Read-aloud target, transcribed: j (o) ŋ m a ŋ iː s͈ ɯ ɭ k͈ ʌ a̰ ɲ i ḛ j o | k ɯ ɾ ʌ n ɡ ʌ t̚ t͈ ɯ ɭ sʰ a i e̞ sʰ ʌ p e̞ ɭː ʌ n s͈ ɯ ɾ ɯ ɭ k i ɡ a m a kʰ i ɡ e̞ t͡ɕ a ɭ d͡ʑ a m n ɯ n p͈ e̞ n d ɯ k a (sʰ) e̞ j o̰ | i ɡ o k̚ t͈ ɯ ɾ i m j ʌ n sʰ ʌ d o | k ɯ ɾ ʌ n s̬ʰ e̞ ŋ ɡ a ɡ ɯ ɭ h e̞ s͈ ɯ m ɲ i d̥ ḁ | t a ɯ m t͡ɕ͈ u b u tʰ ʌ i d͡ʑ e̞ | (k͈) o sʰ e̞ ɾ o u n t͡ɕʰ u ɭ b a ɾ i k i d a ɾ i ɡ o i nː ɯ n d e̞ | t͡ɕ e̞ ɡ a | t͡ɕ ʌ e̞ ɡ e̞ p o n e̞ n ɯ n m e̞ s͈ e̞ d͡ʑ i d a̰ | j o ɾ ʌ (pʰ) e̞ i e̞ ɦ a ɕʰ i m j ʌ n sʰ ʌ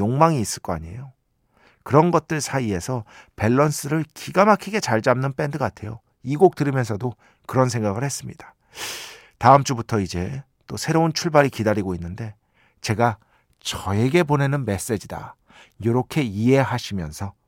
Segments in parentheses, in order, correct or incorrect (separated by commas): correct, incorrect, incorrect, incorrect